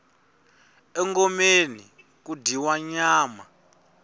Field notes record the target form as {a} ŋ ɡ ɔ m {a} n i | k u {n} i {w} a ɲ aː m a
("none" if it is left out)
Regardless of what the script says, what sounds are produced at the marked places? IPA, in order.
ɛ, e, d, w

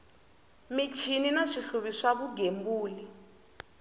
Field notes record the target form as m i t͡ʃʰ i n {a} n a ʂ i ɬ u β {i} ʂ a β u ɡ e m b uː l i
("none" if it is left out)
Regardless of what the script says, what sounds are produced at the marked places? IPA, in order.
i, i

